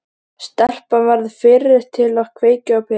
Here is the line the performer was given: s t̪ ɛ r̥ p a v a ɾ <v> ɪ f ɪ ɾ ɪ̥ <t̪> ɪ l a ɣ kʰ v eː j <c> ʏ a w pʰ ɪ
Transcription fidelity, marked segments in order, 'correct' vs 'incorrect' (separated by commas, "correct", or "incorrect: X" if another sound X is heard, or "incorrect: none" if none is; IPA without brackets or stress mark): incorrect: ð, incorrect: t̪ʰ, correct